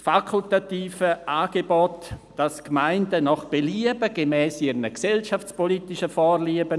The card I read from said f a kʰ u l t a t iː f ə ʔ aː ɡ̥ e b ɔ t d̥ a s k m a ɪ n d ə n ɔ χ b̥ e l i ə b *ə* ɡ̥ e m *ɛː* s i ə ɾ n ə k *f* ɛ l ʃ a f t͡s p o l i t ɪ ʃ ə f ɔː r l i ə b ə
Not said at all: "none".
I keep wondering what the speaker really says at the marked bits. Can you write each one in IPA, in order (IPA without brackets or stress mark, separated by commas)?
ə, ɛː, s